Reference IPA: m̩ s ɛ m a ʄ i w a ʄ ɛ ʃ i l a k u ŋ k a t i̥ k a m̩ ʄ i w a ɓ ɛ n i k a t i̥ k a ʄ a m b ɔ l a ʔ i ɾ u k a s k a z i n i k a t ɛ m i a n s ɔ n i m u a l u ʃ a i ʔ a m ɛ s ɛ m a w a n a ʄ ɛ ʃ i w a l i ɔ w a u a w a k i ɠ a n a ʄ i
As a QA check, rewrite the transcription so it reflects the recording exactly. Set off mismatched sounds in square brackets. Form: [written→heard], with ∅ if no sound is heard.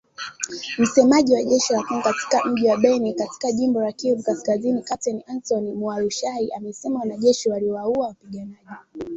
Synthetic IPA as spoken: m̩ s ɛ m a ʄ i w a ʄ ɛ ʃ i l a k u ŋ k a t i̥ k a m̩ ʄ i w a ɓ ɛ n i k a t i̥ k a ʄ [a→i] m b ɔ l a [ʔ→k] i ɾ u k a s k a z i n i k a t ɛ [m→n] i a n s ɔ n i m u a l u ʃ a i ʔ a m ɛ s ɛ m a w a n a ʄ ɛ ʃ i w a l i ɔ w a u a w a [k→p] i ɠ a n a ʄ i

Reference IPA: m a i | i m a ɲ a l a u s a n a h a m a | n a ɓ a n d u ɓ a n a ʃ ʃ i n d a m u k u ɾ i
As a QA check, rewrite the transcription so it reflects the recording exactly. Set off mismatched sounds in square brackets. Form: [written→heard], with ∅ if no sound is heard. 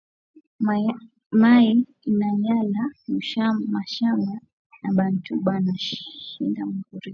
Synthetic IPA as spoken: m a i | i [m→n] a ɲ a l a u [s→ʃ] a [n→m] a [h→ʃ] a m a | n a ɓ a n [d→t] u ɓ a n a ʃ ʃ i n d a m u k u ɾ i

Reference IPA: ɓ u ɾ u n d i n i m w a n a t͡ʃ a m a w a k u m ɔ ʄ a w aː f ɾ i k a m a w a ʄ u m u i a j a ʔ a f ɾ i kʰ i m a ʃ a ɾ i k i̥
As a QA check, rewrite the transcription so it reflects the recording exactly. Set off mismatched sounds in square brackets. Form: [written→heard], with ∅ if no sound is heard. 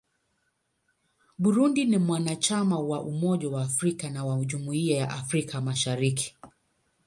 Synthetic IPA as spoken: ɓ u ɾ u n d i n i m w a n a t͡ʃ a m a w a [k→ʔ] u m ɔ ʄ a w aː f ɾ i k a [m→n] a w a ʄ u m u i a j a ʔ a f ɾ i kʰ [i→a] m a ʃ a ɾ i k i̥

